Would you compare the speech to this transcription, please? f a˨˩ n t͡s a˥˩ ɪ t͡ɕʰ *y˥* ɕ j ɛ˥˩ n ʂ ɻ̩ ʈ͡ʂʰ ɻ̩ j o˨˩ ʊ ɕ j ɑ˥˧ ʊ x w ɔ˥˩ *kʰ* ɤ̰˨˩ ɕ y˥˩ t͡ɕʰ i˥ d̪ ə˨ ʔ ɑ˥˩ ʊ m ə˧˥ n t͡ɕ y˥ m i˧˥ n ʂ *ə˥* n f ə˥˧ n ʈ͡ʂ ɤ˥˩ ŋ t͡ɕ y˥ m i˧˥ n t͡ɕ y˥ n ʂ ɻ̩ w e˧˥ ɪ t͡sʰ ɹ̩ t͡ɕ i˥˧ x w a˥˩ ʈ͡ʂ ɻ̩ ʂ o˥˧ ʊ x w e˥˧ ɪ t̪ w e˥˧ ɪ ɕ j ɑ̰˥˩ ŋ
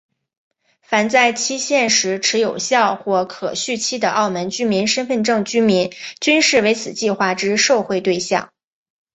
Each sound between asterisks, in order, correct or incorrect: incorrect: i˥, correct, correct

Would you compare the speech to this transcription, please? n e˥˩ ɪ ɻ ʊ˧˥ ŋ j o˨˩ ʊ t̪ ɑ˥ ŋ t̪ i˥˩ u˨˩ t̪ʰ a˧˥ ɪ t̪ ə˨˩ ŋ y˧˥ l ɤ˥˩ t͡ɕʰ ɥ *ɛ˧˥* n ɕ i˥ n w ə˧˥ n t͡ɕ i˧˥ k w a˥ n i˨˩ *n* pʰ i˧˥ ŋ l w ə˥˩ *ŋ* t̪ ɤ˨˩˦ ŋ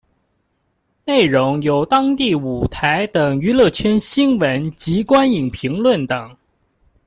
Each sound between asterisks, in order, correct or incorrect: incorrect: ɛ˥, incorrect: ŋ, incorrect: n

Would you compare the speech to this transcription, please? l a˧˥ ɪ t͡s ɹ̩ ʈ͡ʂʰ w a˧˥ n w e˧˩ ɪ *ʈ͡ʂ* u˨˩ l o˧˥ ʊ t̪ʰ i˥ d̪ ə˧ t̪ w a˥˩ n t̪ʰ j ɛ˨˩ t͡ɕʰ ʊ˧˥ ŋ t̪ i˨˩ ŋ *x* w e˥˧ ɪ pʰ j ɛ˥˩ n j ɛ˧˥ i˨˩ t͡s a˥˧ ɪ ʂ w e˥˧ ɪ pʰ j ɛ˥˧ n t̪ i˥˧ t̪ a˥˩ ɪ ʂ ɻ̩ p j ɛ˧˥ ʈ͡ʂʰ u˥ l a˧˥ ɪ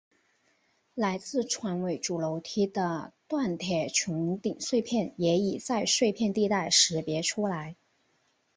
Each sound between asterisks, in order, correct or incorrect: correct, incorrect: ʂ

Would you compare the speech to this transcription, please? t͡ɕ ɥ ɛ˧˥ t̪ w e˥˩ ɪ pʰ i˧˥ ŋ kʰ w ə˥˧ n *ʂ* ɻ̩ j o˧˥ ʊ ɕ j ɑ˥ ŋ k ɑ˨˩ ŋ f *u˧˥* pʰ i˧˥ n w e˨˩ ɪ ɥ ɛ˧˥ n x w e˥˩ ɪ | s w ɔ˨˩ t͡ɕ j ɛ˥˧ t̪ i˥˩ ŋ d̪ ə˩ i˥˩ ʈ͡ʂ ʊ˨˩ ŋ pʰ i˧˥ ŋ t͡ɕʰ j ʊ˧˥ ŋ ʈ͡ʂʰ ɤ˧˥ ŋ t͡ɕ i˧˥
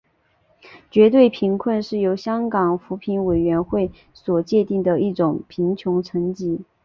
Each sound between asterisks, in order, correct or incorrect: correct, correct

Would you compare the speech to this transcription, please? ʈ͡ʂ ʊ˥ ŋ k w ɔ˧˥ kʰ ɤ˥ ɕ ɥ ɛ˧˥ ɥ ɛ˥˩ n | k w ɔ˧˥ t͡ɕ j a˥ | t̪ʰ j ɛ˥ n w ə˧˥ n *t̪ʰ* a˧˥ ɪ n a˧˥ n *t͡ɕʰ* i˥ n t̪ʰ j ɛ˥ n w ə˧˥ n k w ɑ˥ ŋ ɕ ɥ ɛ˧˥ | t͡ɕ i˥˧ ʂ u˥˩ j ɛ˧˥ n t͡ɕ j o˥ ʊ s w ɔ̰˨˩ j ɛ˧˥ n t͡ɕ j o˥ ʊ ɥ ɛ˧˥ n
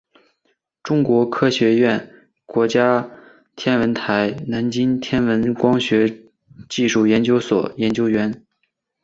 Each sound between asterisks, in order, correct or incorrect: correct, incorrect: t͡ɕ

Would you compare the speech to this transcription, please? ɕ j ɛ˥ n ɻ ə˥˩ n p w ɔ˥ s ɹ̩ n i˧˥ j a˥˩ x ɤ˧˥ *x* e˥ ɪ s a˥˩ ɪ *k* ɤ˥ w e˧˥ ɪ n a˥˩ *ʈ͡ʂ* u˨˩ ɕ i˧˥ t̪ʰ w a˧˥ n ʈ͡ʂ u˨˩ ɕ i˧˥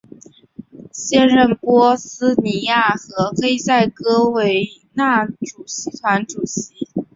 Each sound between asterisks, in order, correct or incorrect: correct, correct, correct

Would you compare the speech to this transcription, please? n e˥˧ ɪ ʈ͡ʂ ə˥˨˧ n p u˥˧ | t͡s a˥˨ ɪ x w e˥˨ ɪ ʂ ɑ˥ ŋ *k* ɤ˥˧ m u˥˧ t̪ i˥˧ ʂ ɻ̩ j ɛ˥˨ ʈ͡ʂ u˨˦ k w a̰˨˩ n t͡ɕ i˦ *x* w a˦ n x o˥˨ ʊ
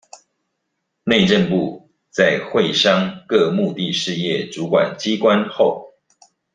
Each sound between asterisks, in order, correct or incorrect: correct, incorrect: k

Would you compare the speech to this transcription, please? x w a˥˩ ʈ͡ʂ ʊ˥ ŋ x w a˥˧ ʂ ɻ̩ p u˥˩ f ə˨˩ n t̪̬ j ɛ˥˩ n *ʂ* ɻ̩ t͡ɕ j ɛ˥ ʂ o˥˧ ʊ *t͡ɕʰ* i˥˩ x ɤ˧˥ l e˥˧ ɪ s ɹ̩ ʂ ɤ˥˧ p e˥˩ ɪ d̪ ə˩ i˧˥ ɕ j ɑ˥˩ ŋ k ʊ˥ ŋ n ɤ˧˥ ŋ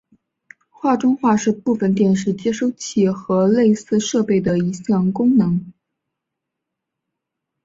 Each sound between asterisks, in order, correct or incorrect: correct, correct

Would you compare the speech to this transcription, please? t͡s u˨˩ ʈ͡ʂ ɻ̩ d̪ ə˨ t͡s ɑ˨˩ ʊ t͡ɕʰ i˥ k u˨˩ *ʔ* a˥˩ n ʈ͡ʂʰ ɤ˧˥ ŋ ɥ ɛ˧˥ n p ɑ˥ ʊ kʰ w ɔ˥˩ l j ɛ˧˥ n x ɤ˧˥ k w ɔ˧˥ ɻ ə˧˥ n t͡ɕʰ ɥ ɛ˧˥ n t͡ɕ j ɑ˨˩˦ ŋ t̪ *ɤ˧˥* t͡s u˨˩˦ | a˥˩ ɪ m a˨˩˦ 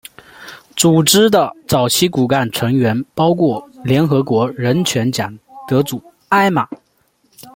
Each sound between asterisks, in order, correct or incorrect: incorrect: k, correct

